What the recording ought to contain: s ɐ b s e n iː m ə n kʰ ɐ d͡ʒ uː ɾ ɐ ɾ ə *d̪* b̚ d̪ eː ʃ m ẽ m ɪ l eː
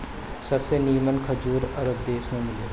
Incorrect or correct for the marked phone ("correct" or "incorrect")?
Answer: incorrect